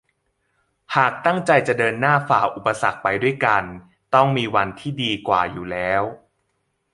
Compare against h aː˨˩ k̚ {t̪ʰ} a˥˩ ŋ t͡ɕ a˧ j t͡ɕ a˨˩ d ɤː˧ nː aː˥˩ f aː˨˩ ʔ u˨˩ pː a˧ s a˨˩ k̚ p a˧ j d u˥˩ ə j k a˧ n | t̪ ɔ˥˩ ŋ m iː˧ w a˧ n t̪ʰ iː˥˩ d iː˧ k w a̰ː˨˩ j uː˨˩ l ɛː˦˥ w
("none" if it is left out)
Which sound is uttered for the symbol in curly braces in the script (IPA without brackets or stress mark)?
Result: t̪